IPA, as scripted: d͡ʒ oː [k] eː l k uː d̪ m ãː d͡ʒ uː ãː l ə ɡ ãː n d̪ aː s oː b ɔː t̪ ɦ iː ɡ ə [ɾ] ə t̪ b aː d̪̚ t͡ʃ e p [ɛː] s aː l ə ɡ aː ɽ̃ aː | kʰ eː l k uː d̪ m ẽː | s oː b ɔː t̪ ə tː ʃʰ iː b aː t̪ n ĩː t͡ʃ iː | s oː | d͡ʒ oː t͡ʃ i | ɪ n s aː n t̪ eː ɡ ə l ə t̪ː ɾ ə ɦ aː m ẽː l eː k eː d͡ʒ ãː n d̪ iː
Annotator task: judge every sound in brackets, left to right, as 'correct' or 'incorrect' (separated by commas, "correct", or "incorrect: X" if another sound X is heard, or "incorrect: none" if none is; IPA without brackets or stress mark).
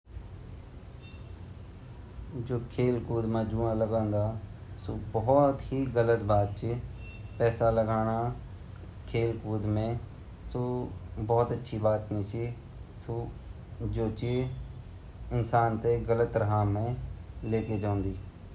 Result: incorrect: kʰ, incorrect: l, correct